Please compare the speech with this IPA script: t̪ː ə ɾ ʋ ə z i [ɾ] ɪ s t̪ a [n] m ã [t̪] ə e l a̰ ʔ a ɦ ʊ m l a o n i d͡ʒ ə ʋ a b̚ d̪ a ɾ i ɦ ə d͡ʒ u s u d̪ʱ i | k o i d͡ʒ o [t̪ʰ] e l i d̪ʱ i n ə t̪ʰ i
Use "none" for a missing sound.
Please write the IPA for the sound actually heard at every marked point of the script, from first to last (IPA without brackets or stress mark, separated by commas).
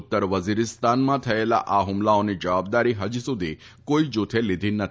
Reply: ɾ, n, t̪ʰ, t̪ʰ